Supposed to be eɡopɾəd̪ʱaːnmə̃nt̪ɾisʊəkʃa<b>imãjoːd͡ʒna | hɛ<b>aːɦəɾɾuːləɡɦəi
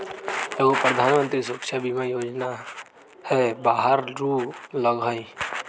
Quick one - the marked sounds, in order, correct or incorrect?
correct, correct

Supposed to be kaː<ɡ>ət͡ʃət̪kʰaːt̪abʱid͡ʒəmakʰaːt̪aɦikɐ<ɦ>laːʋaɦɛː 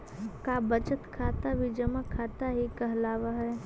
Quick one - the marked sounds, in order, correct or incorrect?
incorrect: b, correct

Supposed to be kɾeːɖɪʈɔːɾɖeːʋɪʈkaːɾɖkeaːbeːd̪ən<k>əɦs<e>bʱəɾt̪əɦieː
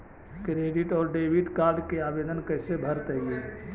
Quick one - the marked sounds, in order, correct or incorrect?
correct, correct

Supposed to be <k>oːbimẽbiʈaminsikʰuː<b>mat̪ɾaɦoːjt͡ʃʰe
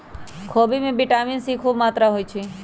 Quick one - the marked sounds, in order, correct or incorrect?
incorrect: kʰ, correct

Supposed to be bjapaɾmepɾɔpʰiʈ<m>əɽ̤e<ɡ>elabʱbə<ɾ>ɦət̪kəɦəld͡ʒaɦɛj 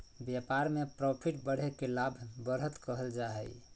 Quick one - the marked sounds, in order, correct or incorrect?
incorrect: b, incorrect: k, correct

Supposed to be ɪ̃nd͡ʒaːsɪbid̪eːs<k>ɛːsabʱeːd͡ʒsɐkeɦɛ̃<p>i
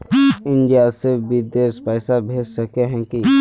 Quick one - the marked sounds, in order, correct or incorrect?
incorrect: p, incorrect: k

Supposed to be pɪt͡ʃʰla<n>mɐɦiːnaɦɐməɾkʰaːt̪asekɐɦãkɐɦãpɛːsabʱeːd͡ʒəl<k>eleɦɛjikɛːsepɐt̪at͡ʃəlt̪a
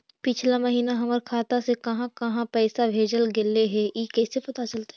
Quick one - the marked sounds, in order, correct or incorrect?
incorrect: none, incorrect: ɡ

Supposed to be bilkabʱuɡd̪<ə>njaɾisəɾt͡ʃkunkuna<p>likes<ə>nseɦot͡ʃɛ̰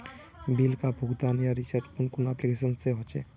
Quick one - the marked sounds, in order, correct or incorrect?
incorrect: a, correct, correct

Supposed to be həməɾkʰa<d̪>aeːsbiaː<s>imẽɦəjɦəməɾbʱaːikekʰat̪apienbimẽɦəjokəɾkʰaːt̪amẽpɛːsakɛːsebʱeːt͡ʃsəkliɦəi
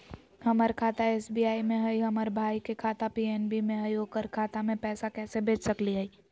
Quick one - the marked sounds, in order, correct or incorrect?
incorrect: t̪, incorrect: none

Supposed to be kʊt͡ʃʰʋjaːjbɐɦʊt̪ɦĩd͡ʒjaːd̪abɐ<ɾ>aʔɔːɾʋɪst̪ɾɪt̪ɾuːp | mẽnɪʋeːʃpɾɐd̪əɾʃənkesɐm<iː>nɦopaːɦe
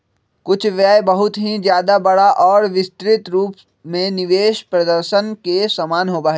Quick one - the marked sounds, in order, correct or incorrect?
incorrect: ɽ, incorrect: aː

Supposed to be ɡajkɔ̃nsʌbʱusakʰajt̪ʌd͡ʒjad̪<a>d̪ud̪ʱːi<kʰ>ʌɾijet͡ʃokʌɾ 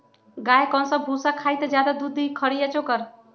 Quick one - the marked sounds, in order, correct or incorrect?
correct, correct

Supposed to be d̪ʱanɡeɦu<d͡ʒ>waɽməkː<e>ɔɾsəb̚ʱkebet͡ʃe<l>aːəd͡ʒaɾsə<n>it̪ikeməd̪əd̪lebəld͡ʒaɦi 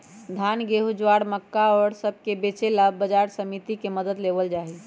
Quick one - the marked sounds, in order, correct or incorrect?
correct, incorrect: a, correct, incorrect: m

